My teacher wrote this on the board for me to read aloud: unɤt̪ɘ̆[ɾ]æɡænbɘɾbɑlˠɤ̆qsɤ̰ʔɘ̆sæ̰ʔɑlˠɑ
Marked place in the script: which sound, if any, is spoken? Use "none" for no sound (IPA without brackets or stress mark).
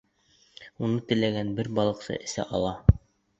l